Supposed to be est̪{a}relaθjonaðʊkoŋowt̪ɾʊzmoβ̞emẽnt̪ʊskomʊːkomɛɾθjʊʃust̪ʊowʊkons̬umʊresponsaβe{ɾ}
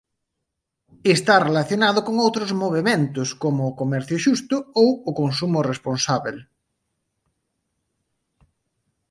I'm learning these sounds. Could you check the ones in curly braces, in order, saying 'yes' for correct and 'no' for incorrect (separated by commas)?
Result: yes, no